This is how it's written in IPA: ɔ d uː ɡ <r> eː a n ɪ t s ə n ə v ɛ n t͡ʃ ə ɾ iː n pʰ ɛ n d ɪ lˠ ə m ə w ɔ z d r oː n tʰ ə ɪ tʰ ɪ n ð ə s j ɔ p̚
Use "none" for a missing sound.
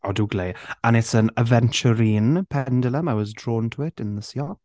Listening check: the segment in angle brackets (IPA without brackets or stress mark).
l